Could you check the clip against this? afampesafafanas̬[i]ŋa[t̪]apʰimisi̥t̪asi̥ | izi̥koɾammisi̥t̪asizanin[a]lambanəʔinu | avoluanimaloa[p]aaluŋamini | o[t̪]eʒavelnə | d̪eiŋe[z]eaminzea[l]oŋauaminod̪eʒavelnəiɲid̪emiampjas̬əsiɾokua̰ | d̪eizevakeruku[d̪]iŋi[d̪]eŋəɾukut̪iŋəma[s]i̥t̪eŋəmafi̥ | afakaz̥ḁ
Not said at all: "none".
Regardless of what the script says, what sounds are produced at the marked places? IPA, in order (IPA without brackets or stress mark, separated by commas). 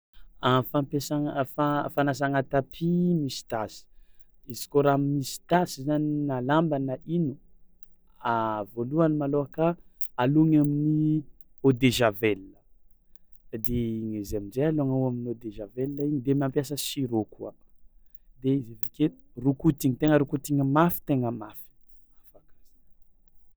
a, t̪, a, k, d̪, z, l, t̪, t̪, f